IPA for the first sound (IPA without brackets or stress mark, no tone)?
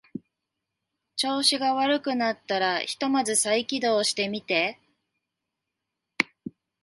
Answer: t͡ɕ